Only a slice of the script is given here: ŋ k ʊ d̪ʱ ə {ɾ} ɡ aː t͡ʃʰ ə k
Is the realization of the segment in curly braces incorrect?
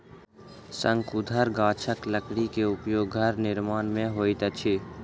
no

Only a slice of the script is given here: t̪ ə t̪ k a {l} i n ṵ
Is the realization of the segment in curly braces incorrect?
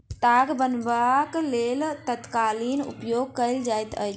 no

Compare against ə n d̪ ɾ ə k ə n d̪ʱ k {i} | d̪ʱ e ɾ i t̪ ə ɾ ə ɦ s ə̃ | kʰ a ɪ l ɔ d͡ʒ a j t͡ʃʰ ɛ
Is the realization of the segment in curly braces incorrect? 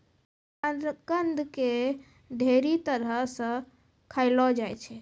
yes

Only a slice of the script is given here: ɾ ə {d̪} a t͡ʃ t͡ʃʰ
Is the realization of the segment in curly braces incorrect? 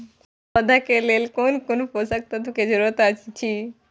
yes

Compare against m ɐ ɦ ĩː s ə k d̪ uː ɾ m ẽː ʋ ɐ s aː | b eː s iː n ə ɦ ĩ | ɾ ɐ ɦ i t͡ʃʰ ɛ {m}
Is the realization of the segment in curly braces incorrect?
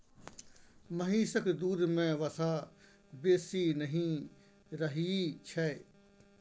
yes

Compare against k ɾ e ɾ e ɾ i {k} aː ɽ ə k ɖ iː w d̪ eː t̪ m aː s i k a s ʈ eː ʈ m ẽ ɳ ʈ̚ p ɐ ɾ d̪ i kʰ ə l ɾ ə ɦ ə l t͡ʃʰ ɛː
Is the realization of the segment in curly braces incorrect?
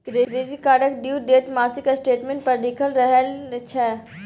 no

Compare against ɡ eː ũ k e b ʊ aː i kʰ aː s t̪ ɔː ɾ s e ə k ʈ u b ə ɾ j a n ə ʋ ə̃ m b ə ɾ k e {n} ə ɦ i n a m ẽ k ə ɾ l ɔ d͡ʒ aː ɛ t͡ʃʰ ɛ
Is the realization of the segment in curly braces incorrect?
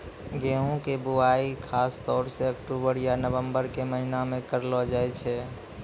yes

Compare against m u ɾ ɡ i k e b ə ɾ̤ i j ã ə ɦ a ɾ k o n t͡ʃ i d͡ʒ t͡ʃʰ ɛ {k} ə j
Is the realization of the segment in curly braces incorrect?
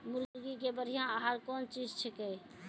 no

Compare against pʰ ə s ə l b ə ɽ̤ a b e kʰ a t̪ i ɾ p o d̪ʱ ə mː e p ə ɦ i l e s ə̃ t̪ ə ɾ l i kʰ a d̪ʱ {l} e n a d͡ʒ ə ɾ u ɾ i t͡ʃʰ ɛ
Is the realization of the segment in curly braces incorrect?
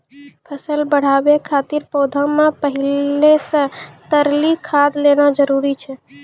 no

